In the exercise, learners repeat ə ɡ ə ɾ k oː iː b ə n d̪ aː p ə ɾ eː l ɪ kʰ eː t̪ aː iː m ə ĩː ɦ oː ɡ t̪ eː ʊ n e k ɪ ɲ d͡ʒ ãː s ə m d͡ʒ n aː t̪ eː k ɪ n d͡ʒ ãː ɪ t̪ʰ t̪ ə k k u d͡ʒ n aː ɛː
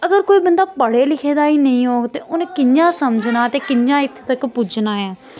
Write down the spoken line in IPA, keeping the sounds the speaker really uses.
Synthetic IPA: ə ɡ ə ɾ k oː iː b ə n d̪ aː p ə ɽ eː l ɪ kʰ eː d̪ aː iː n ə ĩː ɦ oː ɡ t̪ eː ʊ n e k ɪ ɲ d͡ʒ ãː s ə m d͡ʒ n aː t̪ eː k ɪ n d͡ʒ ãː ɪ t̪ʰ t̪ ə k p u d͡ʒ n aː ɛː